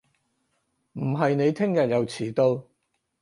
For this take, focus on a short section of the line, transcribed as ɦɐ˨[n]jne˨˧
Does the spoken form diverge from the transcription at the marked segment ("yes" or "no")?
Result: yes